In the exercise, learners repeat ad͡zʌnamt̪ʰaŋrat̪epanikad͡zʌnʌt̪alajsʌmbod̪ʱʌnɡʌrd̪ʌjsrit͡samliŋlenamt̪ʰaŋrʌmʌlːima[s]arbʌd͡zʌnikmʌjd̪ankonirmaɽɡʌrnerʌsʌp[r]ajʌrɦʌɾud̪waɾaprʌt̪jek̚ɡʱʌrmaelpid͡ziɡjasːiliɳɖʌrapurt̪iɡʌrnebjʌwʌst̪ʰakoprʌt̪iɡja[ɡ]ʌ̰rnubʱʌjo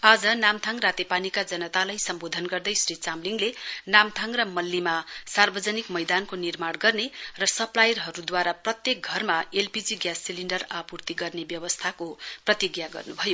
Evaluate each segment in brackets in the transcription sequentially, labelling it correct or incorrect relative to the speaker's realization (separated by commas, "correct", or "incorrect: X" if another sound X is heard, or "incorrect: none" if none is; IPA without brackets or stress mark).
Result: correct, incorrect: l, correct